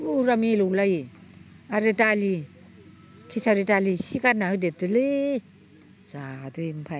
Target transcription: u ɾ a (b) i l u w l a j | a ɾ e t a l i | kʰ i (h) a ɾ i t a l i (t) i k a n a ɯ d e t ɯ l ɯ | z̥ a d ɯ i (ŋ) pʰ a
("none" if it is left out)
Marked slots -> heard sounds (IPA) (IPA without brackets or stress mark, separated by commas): m, s, s, m